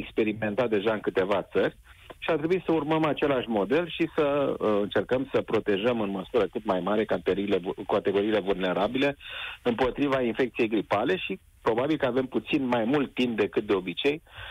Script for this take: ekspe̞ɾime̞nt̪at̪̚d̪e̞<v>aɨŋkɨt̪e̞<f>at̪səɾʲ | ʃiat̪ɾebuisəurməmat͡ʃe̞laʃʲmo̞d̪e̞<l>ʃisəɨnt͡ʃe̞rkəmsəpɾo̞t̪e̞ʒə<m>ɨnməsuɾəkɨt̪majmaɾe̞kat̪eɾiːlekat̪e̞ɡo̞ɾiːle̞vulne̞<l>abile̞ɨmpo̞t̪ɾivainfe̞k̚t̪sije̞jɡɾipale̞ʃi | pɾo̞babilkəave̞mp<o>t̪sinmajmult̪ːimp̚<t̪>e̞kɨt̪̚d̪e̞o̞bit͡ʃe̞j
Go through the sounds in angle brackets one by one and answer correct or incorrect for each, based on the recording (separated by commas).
incorrect, incorrect, correct, correct, incorrect, incorrect, incorrect